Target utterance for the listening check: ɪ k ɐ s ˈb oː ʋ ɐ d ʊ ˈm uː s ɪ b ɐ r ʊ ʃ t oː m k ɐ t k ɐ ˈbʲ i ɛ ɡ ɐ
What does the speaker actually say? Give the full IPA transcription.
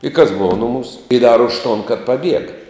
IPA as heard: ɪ k ɐ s ˈb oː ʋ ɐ n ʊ ˈm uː s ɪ d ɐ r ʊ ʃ t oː n k ɐ t p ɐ ˈbʲ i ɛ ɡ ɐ